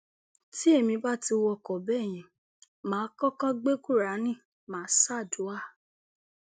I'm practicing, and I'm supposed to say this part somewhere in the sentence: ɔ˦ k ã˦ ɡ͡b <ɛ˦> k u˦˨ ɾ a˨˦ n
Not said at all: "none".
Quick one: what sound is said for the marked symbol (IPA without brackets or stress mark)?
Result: e˦